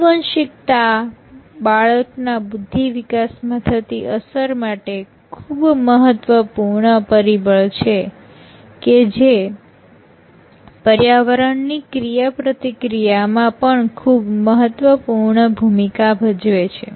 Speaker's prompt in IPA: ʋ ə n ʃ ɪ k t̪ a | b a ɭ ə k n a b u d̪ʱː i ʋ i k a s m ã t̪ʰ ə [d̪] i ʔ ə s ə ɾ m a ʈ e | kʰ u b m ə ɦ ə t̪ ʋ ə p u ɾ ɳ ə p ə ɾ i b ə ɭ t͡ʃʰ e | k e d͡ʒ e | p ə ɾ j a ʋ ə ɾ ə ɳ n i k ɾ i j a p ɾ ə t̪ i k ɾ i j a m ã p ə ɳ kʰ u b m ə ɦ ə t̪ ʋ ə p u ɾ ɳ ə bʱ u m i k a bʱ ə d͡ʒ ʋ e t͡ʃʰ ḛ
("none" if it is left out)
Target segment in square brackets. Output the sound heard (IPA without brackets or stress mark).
t̪